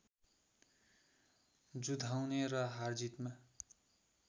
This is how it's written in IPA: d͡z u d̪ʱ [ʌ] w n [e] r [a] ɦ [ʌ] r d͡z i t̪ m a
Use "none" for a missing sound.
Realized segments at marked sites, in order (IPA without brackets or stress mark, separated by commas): a, e, ʌ, a